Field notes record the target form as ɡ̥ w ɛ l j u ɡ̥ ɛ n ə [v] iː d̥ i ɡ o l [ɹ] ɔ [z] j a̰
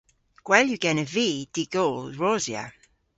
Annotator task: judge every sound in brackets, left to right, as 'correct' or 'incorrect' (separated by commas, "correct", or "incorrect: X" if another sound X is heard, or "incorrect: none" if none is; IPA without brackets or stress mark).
correct, correct, correct